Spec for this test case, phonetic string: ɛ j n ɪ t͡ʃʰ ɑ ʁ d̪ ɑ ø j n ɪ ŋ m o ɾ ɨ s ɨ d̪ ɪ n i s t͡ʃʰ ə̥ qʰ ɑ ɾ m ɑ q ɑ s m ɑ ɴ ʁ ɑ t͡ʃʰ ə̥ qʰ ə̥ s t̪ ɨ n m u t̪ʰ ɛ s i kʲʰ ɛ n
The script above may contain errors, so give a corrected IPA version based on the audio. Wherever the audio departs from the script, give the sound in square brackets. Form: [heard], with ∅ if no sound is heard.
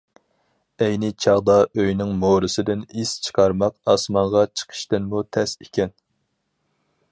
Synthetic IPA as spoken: ɛ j n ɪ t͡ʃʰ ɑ ʁ d̪ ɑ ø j n ɪ ŋ m o ɾ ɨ s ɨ d̪ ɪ n i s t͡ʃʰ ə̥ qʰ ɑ ɾ m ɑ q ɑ s m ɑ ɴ ʁ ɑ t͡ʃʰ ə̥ qʰ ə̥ [ʃ] t̪ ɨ n m u t̪ʰ ɛ s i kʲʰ ɛ n